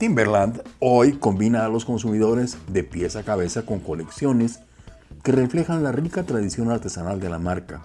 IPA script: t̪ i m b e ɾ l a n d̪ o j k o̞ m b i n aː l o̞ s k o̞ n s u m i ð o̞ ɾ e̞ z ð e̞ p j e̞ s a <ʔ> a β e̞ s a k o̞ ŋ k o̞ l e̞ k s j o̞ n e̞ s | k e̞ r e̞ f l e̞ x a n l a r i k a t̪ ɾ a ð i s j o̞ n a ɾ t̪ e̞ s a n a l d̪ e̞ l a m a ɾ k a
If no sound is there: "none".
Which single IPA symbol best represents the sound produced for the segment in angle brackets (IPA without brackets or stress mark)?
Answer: k